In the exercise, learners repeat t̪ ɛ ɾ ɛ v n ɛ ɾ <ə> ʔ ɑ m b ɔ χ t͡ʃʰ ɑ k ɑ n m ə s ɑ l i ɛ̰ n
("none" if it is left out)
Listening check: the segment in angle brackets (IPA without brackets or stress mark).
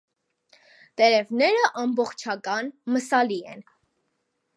ə